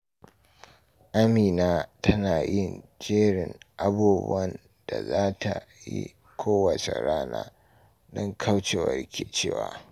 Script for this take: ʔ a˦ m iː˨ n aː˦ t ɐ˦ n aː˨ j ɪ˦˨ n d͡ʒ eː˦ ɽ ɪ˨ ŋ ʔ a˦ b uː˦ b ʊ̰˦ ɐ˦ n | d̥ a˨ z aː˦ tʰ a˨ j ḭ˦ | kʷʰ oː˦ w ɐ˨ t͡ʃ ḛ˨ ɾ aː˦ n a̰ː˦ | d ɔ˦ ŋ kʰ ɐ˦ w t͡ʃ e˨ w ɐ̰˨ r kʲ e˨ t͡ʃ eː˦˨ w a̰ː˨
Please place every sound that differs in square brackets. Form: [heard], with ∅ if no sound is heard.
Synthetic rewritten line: ʔ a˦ m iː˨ n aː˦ t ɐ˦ n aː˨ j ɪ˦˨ n d͡ʒ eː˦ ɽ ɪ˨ ŋ ʔ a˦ b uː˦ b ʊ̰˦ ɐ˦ n | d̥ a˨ z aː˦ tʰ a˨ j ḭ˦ | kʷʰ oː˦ w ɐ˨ t͡ʃ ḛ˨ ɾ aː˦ n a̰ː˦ | d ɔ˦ ŋ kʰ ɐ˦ w t͡ʃ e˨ w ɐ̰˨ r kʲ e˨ t͡ʃ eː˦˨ w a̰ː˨